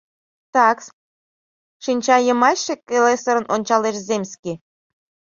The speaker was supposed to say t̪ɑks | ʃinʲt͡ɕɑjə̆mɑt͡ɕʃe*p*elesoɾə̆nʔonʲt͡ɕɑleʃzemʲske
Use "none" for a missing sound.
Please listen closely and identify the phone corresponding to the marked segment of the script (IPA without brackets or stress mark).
k